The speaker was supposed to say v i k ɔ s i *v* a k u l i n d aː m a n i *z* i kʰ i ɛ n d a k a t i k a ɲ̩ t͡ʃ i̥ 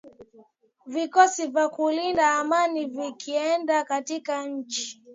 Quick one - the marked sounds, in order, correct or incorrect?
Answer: correct, incorrect: v

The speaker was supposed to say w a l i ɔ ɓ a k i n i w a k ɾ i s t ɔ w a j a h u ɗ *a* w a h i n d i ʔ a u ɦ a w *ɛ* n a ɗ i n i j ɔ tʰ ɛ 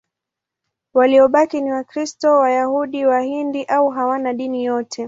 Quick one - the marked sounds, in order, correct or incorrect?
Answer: incorrect: i, incorrect: a

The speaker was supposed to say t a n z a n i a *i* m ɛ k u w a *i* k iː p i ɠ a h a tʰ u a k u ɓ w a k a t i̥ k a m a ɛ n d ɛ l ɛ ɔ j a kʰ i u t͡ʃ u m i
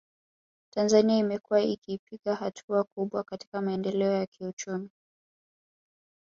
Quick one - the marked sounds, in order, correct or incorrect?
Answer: correct, correct

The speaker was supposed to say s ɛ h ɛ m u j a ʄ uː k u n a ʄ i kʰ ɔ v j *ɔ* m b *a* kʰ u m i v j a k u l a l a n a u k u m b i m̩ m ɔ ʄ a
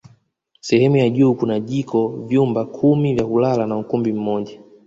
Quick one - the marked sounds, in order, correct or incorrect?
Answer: incorrect: u, correct

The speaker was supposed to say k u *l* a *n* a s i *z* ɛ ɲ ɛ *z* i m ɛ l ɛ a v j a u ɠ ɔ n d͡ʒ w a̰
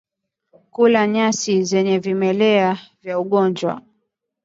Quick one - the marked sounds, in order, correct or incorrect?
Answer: correct, incorrect: ɲ, correct, incorrect: v

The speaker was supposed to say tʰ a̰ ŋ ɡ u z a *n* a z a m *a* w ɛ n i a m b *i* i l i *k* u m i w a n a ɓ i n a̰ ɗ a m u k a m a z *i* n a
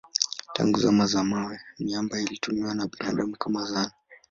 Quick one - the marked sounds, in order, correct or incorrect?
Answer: incorrect: m, correct, incorrect: a, incorrect: t, incorrect: a

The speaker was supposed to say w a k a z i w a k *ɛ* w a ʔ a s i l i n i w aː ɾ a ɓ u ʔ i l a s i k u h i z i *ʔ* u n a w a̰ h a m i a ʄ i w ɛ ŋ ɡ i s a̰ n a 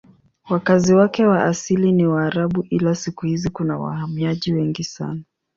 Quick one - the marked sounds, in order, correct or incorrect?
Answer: correct, incorrect: k

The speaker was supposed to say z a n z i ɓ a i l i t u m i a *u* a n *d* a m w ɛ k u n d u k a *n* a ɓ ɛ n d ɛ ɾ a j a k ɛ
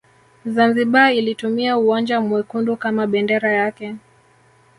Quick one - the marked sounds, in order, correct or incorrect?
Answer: correct, incorrect: d͡ʒ, incorrect: m

